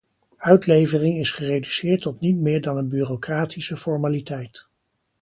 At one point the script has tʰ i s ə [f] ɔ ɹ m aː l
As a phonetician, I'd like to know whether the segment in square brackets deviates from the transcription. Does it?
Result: no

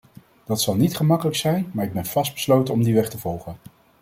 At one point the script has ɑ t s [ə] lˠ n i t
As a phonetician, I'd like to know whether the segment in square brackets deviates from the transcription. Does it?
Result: yes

